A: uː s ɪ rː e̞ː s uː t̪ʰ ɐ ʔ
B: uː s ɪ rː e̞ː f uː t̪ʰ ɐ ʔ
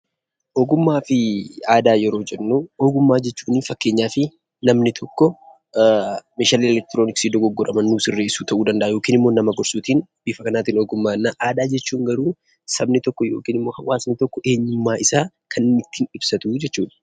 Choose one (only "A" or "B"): A